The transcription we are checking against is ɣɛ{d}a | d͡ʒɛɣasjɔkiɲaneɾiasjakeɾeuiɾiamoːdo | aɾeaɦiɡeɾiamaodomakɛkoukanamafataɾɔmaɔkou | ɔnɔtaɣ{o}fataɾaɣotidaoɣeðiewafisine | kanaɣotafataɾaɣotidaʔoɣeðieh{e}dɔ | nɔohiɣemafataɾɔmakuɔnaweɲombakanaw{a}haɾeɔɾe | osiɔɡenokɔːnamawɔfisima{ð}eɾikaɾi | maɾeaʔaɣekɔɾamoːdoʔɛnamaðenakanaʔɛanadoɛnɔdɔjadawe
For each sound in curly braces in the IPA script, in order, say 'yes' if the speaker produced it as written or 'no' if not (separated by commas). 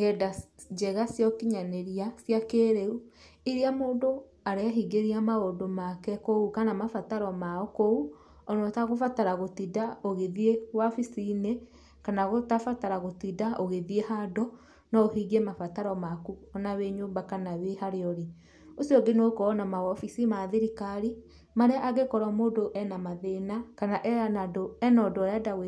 yes, yes, no, no, yes